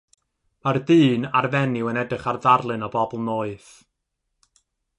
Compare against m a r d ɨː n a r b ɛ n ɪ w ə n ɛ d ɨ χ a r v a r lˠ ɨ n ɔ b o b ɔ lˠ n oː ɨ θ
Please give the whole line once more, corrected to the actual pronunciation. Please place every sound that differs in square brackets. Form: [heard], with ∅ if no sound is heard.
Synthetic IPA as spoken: m a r d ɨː n a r [v] ɛ n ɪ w ə n ɛ d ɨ χ a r [ð] a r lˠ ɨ n ɔ b [ɔ] b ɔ lˠ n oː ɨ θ